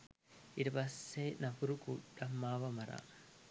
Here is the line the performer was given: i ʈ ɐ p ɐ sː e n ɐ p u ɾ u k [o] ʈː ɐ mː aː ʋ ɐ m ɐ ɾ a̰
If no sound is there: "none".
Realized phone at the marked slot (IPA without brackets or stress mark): u